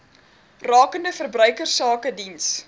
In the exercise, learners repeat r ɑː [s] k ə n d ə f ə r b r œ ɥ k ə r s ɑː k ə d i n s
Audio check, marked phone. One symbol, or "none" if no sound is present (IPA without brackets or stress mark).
none